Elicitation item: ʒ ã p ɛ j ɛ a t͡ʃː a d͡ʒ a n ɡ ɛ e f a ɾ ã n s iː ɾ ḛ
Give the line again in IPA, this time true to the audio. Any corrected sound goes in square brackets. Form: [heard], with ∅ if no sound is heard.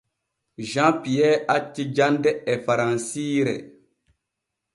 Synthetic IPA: ʒ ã p [i] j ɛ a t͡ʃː [i] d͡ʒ a n [d] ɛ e f a ɾ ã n s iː ɾ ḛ